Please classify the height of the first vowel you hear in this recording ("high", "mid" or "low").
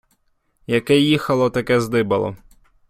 low